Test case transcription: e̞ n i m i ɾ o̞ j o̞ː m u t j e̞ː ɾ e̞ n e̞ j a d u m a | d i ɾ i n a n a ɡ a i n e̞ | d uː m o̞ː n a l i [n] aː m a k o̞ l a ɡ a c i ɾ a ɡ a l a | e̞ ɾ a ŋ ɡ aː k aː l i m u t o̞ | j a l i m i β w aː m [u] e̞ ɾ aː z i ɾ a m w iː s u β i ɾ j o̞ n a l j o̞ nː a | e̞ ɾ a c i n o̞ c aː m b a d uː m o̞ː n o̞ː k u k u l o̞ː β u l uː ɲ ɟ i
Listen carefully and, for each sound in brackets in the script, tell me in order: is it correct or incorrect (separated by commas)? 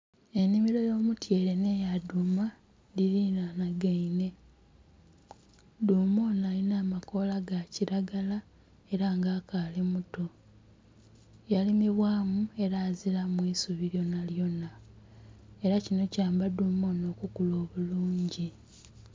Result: correct, correct